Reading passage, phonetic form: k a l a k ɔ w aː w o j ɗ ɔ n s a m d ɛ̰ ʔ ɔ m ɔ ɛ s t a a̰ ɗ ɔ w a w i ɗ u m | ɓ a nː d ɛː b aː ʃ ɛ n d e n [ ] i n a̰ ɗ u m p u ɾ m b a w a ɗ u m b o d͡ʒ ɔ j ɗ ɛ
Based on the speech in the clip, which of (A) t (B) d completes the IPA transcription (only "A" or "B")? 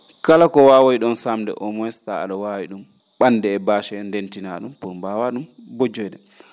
A